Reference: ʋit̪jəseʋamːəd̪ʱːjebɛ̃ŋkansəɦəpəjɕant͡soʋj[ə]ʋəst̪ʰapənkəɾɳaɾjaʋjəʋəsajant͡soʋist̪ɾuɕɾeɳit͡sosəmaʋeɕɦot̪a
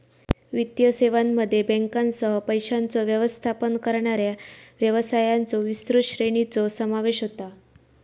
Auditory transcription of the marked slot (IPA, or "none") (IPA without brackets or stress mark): ə